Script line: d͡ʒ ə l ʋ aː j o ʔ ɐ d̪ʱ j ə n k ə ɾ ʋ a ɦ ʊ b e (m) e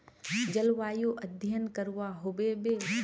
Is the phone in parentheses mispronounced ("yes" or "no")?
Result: yes